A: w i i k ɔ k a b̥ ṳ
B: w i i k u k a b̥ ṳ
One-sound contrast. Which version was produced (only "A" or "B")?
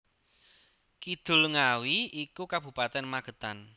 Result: B